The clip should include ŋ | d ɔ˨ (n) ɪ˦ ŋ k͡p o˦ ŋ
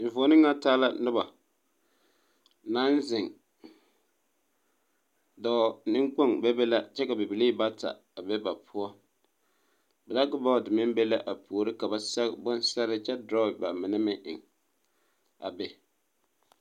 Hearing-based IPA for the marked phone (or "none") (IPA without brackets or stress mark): n